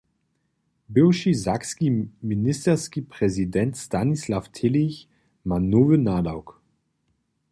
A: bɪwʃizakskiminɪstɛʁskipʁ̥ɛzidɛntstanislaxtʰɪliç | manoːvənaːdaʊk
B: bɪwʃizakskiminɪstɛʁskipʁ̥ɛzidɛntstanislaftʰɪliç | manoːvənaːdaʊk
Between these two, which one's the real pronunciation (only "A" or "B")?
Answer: B